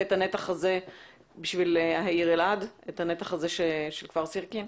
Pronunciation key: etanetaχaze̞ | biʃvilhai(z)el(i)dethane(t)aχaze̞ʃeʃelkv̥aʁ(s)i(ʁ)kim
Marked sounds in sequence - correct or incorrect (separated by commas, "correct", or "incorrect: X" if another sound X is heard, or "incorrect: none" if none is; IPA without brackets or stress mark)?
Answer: incorrect: ʁ, incorrect: a, correct, correct, correct